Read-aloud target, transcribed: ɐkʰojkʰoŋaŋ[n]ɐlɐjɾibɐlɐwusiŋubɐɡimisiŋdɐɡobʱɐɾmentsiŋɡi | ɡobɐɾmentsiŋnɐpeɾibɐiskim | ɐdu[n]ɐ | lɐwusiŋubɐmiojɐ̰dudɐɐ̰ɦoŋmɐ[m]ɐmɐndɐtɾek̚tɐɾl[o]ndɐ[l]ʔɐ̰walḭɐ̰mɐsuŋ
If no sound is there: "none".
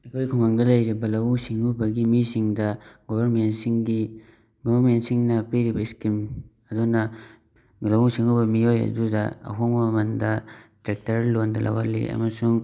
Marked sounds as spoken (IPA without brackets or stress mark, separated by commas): d, n, m, o, l